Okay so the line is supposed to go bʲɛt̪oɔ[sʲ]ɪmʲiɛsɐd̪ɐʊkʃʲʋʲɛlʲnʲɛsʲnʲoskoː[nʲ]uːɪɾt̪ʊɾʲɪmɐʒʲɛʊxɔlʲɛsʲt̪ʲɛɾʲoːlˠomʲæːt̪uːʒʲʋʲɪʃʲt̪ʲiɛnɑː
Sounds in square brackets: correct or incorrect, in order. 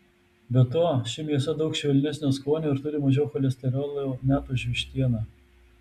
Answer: incorrect: ʃʲ, correct

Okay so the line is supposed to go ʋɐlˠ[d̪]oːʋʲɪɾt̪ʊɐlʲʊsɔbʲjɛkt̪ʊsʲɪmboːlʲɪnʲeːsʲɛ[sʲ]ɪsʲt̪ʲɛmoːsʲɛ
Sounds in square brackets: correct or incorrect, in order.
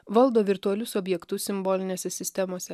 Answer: correct, correct

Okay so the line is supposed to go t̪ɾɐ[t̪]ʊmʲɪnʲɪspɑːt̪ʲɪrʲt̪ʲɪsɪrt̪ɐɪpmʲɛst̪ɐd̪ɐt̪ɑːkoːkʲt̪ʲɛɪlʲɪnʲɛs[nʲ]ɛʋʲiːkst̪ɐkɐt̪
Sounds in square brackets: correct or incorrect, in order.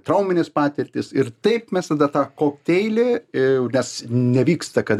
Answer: incorrect: none, correct

